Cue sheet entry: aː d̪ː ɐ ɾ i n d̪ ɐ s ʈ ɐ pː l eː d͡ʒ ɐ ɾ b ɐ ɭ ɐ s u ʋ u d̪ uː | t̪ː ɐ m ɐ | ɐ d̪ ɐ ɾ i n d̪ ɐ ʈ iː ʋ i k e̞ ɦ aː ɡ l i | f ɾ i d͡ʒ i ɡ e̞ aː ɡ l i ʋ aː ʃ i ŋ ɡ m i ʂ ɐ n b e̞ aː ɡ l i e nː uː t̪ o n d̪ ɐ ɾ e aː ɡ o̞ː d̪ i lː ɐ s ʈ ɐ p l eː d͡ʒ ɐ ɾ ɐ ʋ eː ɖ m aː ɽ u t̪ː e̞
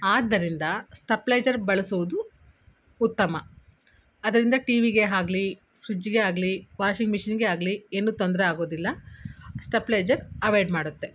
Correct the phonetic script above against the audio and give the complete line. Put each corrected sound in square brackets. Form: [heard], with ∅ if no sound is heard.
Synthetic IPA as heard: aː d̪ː ɐ ɾ i n d̪ ɐ s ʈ ɐ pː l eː d͡ʒ ɐ ɾ b ɐ ɭ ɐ s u ʋ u d̪ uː | t̪ː ɐ m ɐ | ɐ d̪ ɐ ɾ i n d̪ ɐ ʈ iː ʋ i [ɡ] e̞ ɦ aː ɡ l i | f ɾ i d͡ʒ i ɡ e̞ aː ɡ l i ʋ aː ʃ i ŋ ɡ m i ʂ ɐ n [ɡ] e̞ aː ɡ l i e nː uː t̪ o n d̪ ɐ ɾ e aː ɡ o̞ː d̪ i lː ɐ s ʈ ɐ p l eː d͡ʒ ɐ ɾ ɐ ʋ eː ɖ m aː ɽ u t̪ː e̞

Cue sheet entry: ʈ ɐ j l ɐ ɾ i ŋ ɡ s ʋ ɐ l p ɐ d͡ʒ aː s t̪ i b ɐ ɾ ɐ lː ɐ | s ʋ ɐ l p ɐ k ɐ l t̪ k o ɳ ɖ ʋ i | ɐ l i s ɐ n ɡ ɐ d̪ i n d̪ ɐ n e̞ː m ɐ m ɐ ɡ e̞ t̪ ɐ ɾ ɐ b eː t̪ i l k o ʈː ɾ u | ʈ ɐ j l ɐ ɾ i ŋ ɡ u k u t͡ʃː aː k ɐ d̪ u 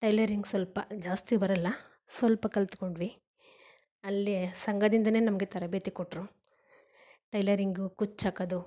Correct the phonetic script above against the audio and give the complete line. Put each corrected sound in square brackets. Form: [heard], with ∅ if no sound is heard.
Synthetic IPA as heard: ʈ ɐ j l ɐ ɾ i ŋ ɡ s ʋ ɐ l p ɐ d͡ʒ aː s t̪ i b ɐ ɾ ɐ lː ɐ | s ʋ ɐ l p ɐ k ɐ l t̪ k o ɳ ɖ ʋ i | ɐ [lː] i s ɐ [ŋ] ɡ ɐ d̪ i n d̪ ɐ n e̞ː [n] ɐ m ɐ ɡ e̞ t̪ ɐ ɾ ɐ b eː t̪ i [∅] k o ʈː ɾ u | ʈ ɐ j l ɐ ɾ i ŋ ɡ u k u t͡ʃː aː k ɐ d̪ u

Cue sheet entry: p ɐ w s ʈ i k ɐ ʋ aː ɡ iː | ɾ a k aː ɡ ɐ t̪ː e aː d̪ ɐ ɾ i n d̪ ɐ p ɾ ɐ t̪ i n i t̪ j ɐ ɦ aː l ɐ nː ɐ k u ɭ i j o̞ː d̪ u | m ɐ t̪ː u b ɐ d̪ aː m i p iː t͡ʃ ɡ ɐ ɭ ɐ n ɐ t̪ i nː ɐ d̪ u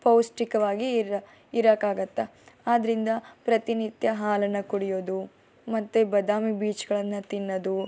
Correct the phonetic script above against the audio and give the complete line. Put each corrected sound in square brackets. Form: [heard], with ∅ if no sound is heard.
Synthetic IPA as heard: p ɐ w s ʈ i k ɐ ʋ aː ɡ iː | ɾ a k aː ɡ ɐ t̪ː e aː d̪ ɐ ɾ i n d̪ ɐ p ɾ ɐ t̪ i n i t̪ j ɐ ɦ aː l ɐ nː ɐ k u [ɽ] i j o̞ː d̪ u | m ɐ t̪ː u b ɐ d̪ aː m i [b] iː t͡ʃ ɡ ɐ ɭ ɐ [nː] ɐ t̪ i nː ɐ d̪ u

